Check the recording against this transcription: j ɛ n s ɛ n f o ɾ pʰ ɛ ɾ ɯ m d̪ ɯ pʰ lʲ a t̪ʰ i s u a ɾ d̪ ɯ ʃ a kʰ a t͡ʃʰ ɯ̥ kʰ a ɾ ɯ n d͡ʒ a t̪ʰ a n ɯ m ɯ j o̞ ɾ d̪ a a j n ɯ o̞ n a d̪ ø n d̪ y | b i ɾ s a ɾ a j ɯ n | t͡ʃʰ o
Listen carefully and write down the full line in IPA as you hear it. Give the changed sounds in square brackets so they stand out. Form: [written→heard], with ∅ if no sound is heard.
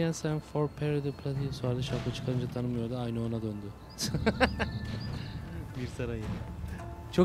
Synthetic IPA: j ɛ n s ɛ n f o ɾ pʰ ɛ ɾ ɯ [m→∅] d̪ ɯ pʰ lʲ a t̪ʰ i s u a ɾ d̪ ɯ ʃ a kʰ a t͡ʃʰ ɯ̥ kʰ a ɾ ɯ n d͡ʒ a t̪ʰ a n ɯ m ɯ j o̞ ɾ d̪ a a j n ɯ o̞ n a d̪ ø n d̪ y | b i ɾ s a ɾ a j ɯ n | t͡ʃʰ o

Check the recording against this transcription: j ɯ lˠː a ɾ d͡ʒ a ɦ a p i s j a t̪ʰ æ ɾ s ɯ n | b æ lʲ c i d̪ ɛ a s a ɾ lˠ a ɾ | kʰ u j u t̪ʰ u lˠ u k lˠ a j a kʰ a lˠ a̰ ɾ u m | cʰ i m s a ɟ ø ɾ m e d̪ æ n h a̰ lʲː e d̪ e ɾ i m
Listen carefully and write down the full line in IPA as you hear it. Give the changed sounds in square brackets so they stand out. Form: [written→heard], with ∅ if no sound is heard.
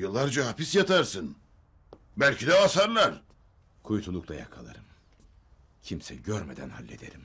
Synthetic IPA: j ɯ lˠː a ɾ d͡ʒ a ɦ a p i s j a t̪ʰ [æ→a] ɾ s ɯ n | b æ lʲ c i d̪ ɛ a s a ɾ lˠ a ɾ | kʰ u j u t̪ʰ u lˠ u k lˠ a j a kʰ a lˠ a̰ ɾ [u→ɯ] m | cʰ i m s [a→ɛ] ɟ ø ɾ m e d̪ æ n h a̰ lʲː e d̪ e ɾ i m

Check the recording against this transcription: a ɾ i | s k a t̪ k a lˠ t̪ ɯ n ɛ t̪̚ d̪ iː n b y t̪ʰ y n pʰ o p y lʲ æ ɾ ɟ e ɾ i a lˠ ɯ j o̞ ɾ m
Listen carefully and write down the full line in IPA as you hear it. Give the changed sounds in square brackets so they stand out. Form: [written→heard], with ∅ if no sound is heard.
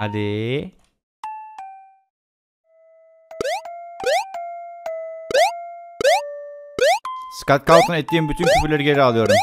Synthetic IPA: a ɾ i | s k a t̪ k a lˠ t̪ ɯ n ɛ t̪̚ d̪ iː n b y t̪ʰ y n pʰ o p y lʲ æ ɾ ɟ e ɾ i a lˠ ɯ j o̞ ɾ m

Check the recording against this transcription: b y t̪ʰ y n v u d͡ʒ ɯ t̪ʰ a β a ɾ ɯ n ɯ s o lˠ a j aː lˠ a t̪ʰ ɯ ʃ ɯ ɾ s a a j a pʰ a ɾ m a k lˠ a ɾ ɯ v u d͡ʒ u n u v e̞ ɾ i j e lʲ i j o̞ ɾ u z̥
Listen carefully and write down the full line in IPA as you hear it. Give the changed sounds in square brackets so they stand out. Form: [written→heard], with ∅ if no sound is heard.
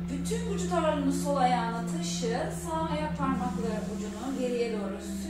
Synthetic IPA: b y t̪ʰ y n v u d͡ʒ [ɯ→u] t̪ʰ a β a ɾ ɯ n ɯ s o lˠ a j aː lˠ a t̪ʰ ɯ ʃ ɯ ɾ s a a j a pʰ a ɾ m a k lˠ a ɾ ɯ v u d͡ʒ u n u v e̞ ɾ i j e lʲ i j o̞ ɾ u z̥

